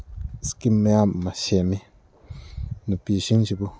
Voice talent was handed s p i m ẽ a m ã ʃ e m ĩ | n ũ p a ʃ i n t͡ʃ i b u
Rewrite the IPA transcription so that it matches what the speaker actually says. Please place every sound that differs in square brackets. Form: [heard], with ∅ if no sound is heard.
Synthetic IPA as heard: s [k] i m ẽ a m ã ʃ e m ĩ | n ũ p [i] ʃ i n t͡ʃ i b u

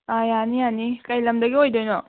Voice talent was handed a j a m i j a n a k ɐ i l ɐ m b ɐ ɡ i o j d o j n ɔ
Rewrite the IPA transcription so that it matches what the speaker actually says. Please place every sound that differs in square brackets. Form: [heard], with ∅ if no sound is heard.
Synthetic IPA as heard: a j a [n] i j a n [i] k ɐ [j] l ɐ m [d] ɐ ɡ i o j d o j n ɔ

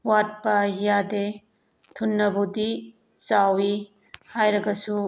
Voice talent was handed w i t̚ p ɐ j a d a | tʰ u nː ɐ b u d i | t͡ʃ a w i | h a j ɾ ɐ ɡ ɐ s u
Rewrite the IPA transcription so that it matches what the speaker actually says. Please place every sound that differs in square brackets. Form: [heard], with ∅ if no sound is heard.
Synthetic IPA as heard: w [a] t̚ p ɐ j a d [e] | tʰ u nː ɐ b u d i | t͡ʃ a w i | h a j ɾ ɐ ɡ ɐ s u

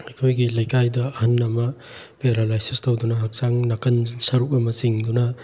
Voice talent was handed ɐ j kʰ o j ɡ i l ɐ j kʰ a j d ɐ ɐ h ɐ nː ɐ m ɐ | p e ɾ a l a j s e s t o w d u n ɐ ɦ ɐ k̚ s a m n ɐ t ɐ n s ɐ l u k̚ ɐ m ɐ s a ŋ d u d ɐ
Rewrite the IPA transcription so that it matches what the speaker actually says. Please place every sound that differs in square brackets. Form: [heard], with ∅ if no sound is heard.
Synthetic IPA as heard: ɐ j kʰ o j ɡ i l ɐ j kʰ a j d ɐ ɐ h ɐ nː ɐ m ɐ | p e ɾ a l a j s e s t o w d u n ɐ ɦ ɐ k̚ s a [ŋ] n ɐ [k] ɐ n s ɐ [ɾ] u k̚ ɐ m ɐ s [i] ŋ d u [n] ɐ

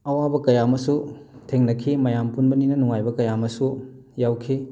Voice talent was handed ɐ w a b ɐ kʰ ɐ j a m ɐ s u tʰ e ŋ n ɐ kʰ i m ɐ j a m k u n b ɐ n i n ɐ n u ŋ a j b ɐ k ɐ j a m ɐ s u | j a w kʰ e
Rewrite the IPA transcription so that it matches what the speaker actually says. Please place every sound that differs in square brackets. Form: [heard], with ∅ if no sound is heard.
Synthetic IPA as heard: ɐ w a b ɐ [k] ɐ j a m ɐ s u tʰ e ŋ n ɐ kʰ i m ɐ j a m [p] u n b ɐ n i n ɐ n u ŋ a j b ɐ k ɐ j a m ɐ s u | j a w kʰ [i]

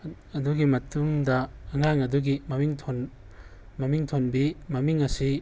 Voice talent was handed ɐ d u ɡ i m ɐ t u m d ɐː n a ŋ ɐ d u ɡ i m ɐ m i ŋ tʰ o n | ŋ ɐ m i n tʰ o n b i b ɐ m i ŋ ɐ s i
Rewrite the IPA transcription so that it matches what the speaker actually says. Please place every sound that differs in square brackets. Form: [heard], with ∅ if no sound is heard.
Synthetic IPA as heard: ɐ d u ɡ i m ɐ t u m d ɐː [ŋ] a ŋ ɐ d u ɡ i m ɐ m i ŋ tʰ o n | [m] ɐ m i [ŋ] tʰ o n b i [m] ɐ m i ŋ ɐ s i

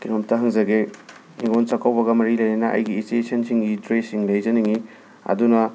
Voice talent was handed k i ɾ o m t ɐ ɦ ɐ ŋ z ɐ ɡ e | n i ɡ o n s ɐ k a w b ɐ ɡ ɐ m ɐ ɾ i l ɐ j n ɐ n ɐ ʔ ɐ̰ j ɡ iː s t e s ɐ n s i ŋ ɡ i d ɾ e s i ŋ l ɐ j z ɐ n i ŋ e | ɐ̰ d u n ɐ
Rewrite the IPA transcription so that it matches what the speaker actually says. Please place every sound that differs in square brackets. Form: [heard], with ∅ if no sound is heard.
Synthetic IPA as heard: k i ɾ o m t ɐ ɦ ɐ ŋ z ɐ ɡ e | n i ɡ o n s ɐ k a w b ɐ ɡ ɐ m ɐ ɾ i l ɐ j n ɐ n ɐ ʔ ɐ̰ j ɡ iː s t e s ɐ n s i ŋ ɡ i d ɾ e s i ŋ l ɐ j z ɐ n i ŋ [i] | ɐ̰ d u n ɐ

